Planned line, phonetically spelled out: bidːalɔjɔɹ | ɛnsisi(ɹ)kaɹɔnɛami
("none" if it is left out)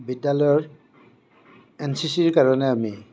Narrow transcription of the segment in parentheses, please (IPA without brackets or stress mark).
ɹ